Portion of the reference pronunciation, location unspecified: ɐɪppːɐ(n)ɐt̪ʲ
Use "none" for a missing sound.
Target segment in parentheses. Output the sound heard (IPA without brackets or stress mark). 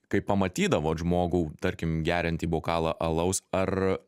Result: m